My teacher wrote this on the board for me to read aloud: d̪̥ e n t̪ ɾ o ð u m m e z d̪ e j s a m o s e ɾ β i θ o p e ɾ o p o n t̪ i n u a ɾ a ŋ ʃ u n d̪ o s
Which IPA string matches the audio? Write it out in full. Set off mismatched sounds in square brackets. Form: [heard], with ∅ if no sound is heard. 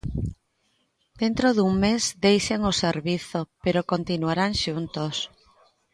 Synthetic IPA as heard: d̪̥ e n t̪ ɾ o ð u [ŋ] m e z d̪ e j [ʃ] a [ŋ] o s e ɾ β i θ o p e ɾ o [k] o n t̪ i n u a ɾ a ŋ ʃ u n [t̪] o s